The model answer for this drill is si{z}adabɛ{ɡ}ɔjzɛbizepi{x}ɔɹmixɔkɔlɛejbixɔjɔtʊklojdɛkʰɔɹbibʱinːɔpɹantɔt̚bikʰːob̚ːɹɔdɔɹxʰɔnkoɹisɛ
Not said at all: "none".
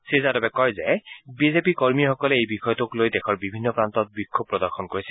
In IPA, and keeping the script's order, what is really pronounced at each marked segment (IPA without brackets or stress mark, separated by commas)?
z, k, k